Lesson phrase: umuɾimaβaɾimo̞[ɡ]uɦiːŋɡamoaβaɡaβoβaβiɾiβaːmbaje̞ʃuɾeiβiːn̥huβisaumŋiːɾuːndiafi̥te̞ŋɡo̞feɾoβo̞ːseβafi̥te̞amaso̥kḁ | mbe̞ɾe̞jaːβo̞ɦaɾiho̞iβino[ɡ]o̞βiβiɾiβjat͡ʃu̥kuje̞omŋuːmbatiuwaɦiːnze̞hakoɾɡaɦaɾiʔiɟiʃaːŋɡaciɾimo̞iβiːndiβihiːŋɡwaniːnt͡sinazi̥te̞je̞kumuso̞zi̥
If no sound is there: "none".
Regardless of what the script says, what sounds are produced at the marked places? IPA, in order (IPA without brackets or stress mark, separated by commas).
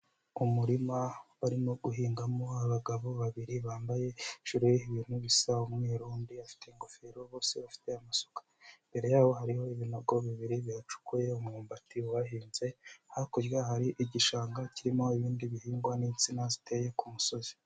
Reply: ɡ, ɡ